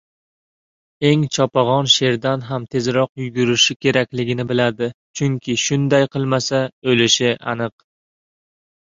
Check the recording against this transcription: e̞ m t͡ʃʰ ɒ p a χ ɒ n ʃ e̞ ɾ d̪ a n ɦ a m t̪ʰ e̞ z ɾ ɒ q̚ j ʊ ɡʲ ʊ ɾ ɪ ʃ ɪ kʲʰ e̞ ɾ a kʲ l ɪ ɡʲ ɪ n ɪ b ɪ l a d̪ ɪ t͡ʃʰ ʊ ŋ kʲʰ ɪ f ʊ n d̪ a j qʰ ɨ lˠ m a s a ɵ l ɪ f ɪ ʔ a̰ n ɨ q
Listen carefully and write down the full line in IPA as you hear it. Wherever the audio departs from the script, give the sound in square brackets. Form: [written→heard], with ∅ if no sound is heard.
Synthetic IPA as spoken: e̞ [m→ŋ] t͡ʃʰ ɒ p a [χ→ʁ] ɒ n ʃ e̞ ɾ d̪ a n ɦ a m t̪ʰ e̞ z ɾ ɒ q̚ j ʊ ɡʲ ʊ ɾ ɪ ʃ ɪ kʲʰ e̞ ɾ a kʲ l ɪ ɡʲ ɪ n ɪ b ɪ l a d̪ ɪ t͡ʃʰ ʊ ŋ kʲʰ ɪ [f→ʃ] ʊ n d̪ a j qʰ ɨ lˠ m a s a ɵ l ɪ [f→ʃ] ɪ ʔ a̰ n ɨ q